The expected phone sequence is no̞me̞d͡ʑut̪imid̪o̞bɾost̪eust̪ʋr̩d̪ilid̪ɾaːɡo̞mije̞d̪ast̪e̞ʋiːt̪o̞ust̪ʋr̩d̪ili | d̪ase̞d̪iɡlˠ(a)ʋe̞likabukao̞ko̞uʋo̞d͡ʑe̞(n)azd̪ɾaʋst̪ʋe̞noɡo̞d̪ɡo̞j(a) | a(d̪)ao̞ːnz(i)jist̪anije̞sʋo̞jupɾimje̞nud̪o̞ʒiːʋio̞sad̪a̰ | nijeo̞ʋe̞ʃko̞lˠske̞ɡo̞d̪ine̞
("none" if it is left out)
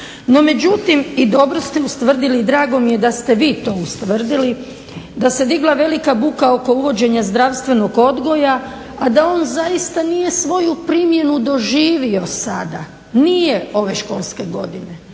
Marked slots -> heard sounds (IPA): a, ɲ, a, d̪, a

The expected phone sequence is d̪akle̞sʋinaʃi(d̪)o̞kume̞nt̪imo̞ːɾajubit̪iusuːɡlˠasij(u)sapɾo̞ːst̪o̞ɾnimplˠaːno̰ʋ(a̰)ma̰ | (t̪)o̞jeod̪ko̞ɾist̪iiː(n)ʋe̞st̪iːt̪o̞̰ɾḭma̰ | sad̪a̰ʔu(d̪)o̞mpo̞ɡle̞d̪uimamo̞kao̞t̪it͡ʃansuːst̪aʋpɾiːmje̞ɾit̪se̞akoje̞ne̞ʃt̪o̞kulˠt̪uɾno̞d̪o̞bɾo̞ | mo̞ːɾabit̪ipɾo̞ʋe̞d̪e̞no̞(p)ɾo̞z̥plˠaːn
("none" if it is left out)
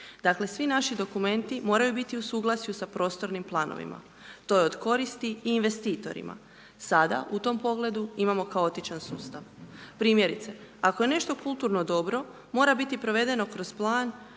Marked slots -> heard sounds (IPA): d̪, u, ḭ, t̪, n, t̪, k

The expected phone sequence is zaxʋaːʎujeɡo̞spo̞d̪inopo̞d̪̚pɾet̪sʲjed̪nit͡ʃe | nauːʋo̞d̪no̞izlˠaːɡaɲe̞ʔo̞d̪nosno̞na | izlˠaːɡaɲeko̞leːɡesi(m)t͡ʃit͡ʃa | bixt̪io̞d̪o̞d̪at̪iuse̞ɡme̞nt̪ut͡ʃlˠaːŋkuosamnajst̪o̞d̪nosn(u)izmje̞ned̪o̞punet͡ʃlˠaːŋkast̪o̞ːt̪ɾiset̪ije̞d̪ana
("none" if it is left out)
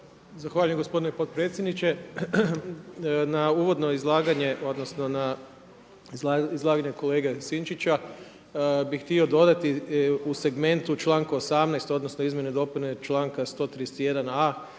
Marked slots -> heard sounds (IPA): n, o

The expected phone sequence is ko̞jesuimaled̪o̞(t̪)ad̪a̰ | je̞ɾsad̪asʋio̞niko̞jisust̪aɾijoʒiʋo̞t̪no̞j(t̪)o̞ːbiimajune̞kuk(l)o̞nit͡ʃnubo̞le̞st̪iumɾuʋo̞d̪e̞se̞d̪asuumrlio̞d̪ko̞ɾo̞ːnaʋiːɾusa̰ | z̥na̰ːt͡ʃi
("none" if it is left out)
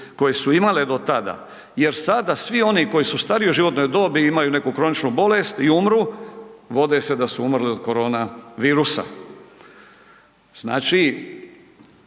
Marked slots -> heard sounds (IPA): t̪, d̪, ɾ

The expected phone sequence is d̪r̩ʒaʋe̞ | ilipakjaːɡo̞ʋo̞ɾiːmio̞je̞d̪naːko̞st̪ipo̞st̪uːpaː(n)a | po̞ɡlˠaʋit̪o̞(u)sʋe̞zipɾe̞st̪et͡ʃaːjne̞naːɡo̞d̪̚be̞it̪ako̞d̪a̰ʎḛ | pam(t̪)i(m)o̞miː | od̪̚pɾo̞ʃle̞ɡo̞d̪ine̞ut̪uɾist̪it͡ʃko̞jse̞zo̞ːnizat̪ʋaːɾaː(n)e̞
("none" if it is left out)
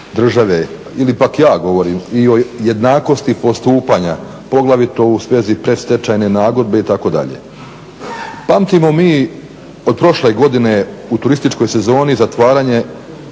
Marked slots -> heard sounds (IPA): ɲ, u, t̪, m, ɲ

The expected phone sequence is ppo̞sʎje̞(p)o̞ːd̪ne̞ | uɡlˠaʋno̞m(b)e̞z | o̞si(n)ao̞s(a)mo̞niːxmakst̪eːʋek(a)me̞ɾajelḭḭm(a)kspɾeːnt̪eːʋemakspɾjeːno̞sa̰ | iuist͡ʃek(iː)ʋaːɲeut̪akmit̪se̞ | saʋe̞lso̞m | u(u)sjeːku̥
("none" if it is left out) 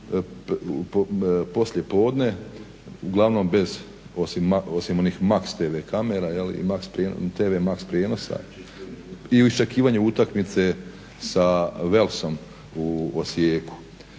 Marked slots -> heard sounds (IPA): p, b, m, i, a, a, iː, o

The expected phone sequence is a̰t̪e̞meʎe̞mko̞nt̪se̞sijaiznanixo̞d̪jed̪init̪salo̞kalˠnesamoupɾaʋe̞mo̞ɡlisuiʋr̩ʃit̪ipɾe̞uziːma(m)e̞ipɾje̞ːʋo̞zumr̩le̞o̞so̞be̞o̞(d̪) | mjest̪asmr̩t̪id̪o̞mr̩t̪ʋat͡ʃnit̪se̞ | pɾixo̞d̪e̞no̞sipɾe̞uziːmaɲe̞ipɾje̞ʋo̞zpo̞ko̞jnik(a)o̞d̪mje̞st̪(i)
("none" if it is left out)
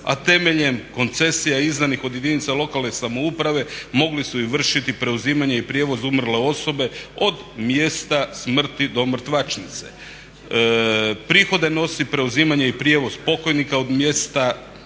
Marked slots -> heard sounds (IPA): ɲ, d̪, a, a

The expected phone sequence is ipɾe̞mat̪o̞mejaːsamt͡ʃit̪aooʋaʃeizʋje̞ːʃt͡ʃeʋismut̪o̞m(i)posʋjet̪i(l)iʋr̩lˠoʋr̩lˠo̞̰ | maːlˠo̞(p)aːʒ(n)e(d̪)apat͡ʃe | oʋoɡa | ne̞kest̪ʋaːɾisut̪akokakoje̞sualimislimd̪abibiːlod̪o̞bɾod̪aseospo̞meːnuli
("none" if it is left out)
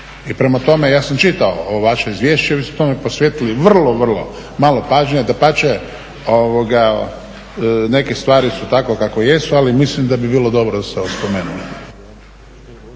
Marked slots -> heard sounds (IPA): e, l, p, ɲ, d̪

